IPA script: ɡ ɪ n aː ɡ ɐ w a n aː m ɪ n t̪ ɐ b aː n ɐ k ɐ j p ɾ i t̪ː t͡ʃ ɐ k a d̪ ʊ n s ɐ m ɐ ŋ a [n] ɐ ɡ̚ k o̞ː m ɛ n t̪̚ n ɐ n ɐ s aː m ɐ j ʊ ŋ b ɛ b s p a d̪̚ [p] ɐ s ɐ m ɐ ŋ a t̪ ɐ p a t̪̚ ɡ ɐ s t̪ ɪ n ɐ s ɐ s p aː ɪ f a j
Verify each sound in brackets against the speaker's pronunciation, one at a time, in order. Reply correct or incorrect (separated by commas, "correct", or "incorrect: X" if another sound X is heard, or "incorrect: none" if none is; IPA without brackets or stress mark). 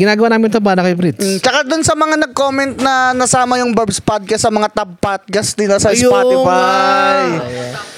correct, incorrect: k